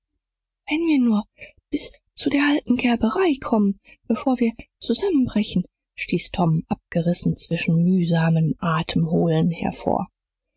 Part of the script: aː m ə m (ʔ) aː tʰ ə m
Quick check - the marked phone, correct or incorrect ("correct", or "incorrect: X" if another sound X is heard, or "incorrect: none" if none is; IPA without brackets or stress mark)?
correct